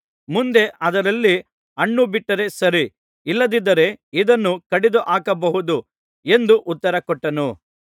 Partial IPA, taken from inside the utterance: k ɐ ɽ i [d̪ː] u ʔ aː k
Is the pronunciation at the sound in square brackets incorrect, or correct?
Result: incorrect: d̪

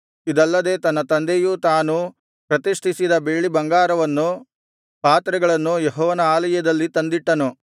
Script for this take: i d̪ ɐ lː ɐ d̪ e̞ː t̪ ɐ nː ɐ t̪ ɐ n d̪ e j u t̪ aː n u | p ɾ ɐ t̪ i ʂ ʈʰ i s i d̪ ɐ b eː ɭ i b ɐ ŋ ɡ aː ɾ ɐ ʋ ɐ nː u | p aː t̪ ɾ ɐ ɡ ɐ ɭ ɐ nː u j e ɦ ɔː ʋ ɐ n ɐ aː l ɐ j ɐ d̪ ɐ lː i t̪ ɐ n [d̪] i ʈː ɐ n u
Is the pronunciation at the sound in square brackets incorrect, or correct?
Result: correct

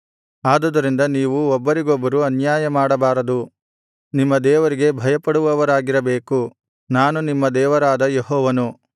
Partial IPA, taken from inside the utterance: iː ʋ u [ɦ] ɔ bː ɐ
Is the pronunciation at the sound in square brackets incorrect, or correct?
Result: incorrect: none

